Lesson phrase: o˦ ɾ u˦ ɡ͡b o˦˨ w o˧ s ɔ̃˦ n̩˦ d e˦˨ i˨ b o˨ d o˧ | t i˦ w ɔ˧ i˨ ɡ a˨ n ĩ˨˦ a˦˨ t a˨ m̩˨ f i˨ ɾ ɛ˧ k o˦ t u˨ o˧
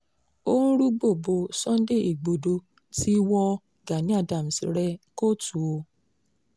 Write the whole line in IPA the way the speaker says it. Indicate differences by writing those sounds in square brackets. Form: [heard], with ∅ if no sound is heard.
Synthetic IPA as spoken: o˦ ɾ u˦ ɡ͡b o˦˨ [b] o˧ s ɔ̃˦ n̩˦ d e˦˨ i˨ [ɡ͡b] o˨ d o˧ | t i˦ w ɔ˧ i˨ ɡ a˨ n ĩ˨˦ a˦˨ [d] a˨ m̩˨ [s] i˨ ɾ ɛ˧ k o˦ t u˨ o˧

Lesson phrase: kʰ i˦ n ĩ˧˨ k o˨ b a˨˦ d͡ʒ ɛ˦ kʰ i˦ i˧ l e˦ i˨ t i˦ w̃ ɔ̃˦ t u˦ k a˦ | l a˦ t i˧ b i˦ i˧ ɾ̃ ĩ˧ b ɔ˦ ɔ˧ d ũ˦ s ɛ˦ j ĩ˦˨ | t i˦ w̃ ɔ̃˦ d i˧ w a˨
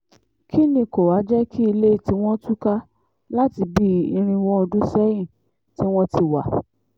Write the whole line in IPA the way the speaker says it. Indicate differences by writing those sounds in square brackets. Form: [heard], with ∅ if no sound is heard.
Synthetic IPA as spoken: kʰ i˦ n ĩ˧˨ k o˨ [w] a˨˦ d͡ʒ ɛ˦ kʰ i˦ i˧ l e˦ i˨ t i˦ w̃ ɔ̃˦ t u˦ k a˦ | l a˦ t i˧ b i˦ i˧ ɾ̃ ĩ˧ [w] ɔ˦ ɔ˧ d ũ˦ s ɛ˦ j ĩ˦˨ | t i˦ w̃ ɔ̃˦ [t] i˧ w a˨

